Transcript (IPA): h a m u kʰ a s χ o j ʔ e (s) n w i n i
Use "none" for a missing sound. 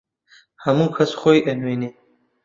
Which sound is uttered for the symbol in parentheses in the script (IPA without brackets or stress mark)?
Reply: none